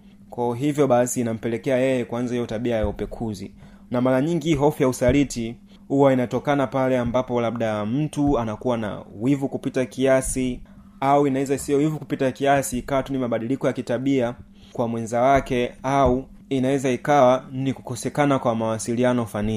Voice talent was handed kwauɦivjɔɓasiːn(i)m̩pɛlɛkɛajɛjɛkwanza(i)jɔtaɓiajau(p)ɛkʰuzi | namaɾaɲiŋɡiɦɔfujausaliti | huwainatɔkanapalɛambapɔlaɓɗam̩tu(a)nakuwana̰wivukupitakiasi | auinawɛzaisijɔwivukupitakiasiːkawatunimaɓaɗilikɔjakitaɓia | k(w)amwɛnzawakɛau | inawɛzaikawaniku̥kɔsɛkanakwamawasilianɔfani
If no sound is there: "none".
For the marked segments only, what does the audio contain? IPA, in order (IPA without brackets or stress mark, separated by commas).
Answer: a, i, p, a, w